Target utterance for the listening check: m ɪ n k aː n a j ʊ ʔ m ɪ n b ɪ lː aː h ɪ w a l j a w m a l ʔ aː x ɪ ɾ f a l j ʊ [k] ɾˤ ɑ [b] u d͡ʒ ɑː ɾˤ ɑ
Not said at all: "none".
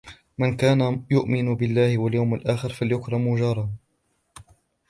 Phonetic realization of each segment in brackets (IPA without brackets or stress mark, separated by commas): k, m